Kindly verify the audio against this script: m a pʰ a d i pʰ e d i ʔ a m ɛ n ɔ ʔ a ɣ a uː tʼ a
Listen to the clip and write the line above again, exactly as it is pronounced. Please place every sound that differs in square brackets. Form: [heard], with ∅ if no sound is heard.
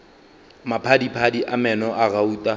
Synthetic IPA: m a pʰ a d i pʰ [a] d i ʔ a m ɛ n ɔ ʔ a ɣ a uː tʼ a